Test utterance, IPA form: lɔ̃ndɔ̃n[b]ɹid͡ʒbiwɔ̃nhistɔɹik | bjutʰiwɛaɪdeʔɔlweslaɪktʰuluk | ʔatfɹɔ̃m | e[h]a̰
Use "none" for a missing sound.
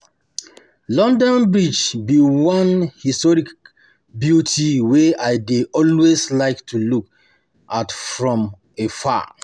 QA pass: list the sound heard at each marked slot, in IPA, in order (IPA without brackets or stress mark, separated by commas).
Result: b, f